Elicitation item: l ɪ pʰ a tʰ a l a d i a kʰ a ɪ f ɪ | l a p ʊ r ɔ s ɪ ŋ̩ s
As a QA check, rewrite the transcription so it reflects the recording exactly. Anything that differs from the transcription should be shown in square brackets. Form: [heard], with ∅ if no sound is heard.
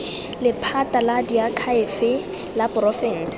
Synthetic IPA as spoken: l ɪ pʰ a [t] a l a d i a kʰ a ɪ f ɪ | l a p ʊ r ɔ [f] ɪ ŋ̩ s